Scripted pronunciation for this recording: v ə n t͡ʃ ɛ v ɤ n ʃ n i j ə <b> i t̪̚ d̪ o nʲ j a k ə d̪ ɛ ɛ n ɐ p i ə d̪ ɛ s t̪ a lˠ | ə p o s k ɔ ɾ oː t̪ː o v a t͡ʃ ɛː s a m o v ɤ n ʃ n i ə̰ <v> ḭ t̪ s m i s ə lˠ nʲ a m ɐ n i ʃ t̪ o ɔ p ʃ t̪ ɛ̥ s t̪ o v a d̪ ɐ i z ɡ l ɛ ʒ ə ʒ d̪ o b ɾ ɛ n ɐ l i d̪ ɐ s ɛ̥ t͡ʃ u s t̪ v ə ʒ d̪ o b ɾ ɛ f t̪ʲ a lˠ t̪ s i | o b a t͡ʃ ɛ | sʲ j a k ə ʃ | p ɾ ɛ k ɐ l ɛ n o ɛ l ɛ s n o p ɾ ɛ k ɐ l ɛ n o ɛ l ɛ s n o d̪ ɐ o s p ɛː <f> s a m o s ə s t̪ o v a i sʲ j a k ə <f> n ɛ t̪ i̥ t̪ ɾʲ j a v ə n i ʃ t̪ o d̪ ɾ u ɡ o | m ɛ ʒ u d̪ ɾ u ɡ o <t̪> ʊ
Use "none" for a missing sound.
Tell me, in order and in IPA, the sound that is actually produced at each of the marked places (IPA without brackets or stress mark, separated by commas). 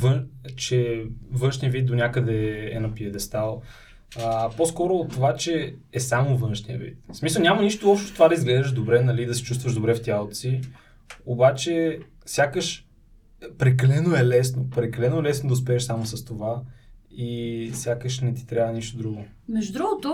v, v, ʃ, ʃ, t̪